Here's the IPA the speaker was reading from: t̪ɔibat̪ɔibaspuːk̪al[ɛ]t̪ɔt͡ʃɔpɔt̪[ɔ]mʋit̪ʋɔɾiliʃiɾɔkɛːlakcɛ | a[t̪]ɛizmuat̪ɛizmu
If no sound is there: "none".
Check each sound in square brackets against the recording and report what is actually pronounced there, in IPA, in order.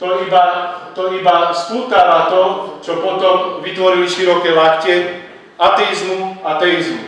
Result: a, ɔ, t̪

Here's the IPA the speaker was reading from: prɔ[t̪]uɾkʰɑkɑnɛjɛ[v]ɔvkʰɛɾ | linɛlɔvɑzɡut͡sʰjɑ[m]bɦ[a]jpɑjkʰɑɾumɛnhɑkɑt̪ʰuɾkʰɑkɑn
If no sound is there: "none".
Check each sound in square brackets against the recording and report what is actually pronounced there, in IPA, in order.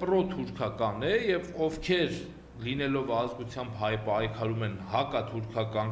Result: t̪ʰ, v, m, ɑ

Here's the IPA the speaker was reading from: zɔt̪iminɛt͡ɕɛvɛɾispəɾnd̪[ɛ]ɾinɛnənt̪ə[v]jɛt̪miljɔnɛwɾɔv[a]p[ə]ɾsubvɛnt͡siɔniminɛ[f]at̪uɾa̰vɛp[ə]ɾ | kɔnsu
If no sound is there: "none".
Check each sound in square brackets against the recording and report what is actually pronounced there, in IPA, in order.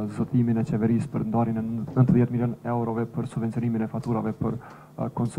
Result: a, ð, ɛ, ə, f, ə

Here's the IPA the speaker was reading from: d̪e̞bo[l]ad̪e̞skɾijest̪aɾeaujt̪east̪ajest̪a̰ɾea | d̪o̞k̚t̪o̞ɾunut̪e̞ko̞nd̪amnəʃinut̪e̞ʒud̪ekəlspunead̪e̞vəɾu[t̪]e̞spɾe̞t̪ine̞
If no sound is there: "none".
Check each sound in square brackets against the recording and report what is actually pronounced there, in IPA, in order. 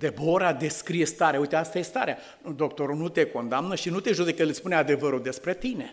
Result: ɾ, d̪

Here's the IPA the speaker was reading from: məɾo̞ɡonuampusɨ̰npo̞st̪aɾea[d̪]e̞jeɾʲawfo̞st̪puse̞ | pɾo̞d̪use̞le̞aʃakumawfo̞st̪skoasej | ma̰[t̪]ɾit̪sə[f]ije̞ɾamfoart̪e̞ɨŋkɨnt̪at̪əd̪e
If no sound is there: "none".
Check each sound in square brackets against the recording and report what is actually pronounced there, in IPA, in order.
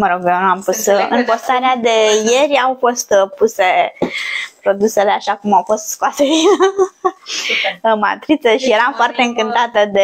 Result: d̪, t̪, ʃ

